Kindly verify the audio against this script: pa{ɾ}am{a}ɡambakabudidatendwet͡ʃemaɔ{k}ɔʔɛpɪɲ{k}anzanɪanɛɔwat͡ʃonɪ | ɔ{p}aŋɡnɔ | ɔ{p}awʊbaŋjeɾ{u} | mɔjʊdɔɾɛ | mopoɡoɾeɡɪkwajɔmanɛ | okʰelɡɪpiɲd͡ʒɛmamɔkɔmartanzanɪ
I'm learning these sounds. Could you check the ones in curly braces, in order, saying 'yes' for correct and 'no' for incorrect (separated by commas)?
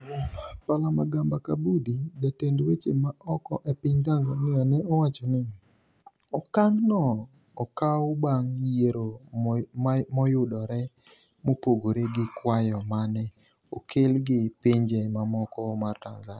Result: no, yes, yes, no, no, no, no